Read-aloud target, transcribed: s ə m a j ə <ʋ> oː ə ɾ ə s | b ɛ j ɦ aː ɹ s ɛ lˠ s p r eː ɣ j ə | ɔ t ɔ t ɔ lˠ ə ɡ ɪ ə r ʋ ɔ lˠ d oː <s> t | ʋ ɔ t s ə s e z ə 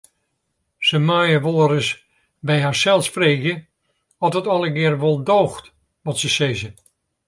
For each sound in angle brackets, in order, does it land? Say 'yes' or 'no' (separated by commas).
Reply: yes, no